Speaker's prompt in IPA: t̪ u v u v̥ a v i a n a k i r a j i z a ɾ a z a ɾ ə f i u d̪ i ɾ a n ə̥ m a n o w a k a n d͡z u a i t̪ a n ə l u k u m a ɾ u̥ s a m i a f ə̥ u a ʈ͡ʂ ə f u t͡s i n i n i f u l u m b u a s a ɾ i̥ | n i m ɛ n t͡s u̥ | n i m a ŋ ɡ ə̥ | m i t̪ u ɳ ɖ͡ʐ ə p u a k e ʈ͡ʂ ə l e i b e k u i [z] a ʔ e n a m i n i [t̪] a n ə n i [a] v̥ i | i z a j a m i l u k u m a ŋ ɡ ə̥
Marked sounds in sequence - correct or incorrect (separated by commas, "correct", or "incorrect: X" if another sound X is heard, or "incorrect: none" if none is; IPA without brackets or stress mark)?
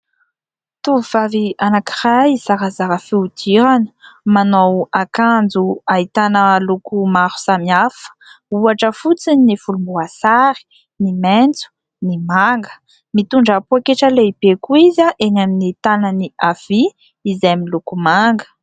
correct, correct, correct